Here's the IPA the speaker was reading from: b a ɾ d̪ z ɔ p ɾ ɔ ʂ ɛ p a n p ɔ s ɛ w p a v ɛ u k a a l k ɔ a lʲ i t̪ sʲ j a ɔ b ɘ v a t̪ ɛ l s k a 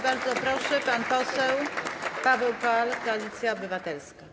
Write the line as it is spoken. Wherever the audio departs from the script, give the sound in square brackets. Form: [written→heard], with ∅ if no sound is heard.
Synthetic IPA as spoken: b a ɾ d̪ z ɔ p ɾ ɔ ʂ ɛ p a n p ɔ s ɛ w p a v ɛ [u→w] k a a l k ɔ a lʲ i t̪ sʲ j a ɔ b ɘ v a t̪ ɛ l s k a